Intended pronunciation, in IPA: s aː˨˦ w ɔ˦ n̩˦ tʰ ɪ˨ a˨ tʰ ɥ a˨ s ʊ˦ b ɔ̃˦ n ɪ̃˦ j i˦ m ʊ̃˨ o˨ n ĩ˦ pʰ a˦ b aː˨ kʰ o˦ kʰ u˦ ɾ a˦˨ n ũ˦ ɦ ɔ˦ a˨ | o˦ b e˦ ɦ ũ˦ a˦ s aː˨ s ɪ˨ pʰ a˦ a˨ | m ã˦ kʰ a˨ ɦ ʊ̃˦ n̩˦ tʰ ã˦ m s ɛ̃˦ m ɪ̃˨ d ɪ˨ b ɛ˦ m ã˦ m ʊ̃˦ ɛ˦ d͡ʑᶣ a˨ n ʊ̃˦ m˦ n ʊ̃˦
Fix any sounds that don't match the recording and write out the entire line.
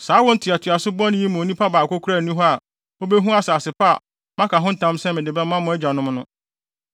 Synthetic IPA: s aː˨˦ w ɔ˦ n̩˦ tʰ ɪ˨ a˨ tʰ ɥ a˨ s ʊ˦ b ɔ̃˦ n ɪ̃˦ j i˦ m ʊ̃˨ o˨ n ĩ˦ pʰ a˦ b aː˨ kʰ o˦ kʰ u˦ ɾ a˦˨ n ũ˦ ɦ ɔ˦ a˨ | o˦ b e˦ ɦ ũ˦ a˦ s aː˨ s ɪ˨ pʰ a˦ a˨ | m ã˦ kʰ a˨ ɦ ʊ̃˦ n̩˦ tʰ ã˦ m s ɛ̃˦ m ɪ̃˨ d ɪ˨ b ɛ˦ m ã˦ m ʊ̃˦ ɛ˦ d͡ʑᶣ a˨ n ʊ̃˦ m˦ n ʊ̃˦